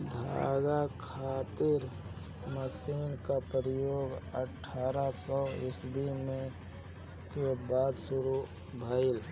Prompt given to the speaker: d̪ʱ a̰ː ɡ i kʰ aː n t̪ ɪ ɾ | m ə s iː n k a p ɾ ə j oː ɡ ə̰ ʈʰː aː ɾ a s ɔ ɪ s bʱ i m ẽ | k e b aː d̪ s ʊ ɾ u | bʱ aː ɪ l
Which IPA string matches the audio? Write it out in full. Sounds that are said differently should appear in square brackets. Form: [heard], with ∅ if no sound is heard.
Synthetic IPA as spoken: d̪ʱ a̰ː ɡ [a] kʰ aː [∅] t̪ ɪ ɾ | m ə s iː n k a p ɾ ə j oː ɡ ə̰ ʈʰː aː ɾ a s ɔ ɪ s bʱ i m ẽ | k e b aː d̪ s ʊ ɾ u | bʱ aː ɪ l